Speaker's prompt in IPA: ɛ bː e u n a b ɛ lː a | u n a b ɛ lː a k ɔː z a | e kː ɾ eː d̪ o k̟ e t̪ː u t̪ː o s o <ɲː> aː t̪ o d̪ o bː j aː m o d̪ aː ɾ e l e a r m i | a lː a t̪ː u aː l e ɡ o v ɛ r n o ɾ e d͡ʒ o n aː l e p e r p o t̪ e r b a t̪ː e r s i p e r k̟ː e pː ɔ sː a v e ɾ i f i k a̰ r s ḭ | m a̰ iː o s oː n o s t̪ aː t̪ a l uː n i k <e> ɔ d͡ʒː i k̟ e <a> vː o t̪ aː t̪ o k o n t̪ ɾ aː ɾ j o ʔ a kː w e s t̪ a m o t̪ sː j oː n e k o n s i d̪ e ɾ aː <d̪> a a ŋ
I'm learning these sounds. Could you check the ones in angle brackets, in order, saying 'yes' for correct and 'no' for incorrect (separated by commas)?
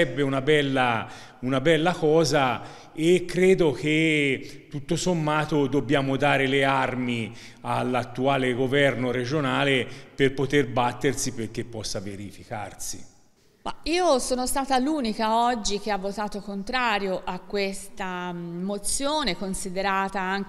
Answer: no, no, yes, no